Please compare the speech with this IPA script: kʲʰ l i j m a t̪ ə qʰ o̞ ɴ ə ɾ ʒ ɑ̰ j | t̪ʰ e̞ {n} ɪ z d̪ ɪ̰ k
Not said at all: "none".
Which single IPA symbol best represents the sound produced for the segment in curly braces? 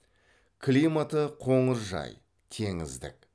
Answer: ŋ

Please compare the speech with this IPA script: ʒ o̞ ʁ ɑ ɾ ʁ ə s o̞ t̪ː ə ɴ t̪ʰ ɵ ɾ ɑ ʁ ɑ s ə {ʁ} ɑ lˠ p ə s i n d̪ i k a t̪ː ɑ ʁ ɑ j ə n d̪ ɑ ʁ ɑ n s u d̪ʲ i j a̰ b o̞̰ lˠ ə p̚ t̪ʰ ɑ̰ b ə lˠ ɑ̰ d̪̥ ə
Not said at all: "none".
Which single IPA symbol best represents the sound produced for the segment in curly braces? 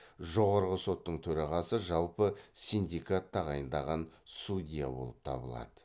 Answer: ʒ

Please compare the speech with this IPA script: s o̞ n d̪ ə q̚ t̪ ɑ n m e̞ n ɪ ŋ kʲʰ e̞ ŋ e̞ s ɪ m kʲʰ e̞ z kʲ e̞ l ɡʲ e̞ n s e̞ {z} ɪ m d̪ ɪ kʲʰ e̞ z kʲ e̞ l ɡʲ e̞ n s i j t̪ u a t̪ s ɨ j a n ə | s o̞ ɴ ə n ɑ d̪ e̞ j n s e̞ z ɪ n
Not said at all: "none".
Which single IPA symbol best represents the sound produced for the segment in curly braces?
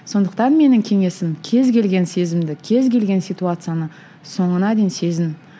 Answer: z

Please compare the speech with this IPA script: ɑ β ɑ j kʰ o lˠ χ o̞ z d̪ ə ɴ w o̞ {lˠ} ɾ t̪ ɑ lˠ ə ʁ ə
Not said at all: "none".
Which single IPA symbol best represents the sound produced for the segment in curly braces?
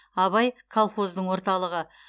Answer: none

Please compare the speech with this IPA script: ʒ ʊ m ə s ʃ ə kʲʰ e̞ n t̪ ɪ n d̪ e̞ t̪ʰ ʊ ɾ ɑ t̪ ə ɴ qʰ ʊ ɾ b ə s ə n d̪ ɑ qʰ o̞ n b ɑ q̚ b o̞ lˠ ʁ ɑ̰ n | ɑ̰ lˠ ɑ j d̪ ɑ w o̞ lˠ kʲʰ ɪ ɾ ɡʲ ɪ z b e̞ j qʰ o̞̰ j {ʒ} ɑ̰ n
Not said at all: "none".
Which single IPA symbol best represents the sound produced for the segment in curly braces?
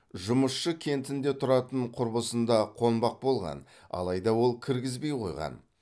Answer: ʁ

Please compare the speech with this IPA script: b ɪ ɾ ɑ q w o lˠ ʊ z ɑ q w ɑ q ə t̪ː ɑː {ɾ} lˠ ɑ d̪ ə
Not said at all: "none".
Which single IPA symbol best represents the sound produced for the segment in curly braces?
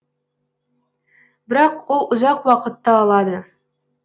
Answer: none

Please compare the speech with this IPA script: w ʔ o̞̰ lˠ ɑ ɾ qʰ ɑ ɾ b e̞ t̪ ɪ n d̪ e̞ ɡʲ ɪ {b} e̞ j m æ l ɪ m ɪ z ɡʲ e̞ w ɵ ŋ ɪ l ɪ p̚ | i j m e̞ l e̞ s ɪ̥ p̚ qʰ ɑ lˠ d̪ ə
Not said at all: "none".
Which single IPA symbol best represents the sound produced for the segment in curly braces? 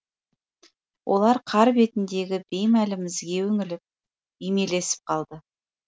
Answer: b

